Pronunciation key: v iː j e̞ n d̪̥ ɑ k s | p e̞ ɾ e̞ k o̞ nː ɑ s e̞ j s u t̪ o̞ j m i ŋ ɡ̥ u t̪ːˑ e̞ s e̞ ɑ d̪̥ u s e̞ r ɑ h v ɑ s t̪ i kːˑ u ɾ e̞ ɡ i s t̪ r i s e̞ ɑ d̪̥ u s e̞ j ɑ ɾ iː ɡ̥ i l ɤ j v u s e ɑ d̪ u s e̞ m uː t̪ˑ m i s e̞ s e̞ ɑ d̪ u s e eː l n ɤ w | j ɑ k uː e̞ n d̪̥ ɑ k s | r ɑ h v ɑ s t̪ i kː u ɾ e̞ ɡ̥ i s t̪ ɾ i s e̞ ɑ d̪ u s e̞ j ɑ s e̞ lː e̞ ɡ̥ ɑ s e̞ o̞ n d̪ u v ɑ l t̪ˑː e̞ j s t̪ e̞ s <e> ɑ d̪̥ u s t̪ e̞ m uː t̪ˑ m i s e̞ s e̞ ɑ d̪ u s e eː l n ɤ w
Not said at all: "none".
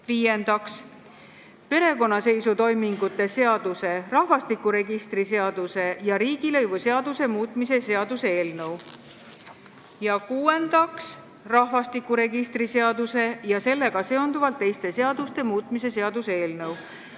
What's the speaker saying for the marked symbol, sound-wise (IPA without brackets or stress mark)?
e